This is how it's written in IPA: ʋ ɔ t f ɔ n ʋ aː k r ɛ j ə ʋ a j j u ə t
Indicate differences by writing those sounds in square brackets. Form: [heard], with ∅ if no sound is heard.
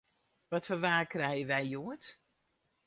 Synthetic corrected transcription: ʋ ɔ t f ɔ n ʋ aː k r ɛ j ə ʋ [ɛ] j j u ə t